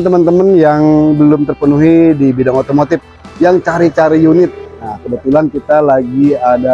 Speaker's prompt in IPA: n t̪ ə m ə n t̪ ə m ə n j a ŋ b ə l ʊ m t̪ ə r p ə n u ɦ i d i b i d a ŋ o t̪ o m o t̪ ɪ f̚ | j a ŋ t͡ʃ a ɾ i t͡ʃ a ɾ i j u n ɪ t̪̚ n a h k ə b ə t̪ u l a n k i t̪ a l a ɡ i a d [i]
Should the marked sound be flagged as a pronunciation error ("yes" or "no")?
yes